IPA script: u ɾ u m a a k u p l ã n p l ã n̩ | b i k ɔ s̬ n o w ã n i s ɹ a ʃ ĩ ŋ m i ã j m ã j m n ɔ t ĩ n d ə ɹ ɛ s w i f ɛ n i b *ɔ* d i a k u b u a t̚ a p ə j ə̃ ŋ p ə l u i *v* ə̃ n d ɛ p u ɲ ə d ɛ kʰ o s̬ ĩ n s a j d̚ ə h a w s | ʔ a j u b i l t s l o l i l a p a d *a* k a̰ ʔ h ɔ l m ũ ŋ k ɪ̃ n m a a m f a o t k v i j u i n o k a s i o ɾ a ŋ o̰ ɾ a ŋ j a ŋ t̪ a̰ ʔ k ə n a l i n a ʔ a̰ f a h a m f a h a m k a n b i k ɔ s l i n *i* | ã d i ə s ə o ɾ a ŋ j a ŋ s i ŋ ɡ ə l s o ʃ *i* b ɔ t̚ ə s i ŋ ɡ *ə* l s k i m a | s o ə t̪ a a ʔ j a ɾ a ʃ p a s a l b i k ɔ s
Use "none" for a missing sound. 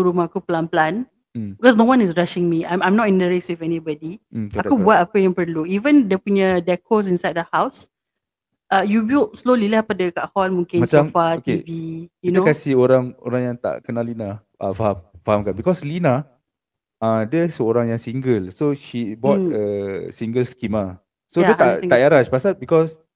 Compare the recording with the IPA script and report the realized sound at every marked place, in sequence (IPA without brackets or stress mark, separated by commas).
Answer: ɔ, v, ə, a, i, ə